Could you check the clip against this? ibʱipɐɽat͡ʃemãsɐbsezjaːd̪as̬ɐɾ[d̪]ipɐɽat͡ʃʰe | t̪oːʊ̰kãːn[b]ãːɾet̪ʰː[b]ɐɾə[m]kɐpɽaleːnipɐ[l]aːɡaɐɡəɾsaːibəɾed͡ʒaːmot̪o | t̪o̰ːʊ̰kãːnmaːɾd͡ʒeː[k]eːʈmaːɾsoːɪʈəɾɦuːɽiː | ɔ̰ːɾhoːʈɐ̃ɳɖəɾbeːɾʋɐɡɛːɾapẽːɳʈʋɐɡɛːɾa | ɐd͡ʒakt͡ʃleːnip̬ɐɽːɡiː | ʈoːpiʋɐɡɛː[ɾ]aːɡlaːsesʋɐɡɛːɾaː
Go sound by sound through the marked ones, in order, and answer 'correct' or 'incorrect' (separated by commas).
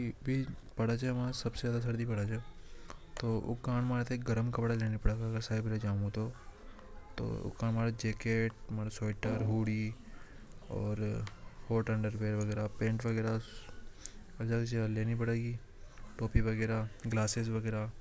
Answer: correct, incorrect, incorrect, correct, incorrect, correct, correct